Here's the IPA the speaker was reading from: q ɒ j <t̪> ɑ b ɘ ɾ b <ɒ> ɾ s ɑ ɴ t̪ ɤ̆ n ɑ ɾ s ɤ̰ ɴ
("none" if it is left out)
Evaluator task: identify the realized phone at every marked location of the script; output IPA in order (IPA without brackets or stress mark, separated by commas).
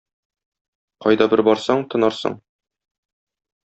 d̪, ɒ